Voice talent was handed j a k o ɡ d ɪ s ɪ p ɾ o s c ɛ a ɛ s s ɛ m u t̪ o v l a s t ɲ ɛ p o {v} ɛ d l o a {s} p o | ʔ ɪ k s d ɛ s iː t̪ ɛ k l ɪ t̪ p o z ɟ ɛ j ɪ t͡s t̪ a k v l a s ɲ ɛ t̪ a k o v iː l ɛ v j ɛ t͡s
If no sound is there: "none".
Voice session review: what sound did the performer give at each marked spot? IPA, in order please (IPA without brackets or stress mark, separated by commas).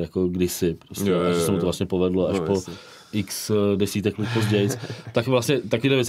v, ʃ